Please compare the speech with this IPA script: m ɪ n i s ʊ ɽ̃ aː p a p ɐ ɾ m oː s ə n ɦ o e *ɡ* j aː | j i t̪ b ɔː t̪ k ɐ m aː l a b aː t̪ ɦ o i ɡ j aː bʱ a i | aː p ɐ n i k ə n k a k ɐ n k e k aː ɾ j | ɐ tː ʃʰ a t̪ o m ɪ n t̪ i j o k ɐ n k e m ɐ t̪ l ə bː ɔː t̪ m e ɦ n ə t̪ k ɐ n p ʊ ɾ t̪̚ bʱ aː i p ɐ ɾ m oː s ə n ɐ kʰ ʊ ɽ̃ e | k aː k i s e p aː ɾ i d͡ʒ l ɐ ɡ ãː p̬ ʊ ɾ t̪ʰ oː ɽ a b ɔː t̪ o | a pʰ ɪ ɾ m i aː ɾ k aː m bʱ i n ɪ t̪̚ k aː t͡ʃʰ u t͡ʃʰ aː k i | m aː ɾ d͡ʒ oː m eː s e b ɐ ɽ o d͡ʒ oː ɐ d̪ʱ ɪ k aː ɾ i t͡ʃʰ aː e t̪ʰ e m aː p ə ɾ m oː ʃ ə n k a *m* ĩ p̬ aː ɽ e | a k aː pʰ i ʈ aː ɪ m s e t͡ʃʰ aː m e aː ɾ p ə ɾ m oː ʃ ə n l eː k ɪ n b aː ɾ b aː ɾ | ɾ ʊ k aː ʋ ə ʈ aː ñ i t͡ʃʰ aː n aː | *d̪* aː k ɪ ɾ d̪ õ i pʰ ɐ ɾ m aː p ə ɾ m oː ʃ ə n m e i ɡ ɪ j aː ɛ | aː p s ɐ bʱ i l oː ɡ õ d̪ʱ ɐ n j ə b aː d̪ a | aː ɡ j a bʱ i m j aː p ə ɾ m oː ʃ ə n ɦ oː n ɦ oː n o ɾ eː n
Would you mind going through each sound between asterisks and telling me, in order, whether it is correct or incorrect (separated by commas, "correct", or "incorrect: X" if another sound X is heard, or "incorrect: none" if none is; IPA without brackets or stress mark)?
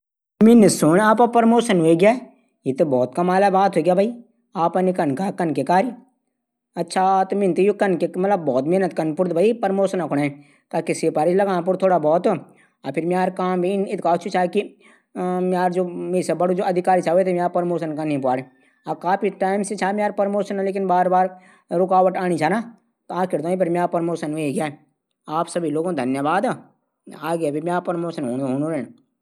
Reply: correct, incorrect: n, incorrect: t̪